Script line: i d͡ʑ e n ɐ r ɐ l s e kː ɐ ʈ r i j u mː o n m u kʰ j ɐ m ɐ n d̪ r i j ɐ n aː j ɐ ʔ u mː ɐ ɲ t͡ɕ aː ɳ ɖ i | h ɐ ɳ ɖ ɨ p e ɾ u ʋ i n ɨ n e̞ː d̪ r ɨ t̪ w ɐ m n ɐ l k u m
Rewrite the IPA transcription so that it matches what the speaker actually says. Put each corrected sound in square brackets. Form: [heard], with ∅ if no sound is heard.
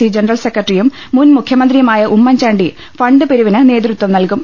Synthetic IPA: i d͡ʑ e n ɐ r ɐ l s e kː ɐ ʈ r i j u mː [u] n m u kʰ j ɐ m ɐ n d̪ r i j ɐ [m] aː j ɐ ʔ u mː ɐ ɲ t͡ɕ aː ɳ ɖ i | [f] ɐ ɳ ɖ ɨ p e ɾ u ʋ i n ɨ n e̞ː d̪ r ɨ t̪ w ɐ m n ɐ l k u m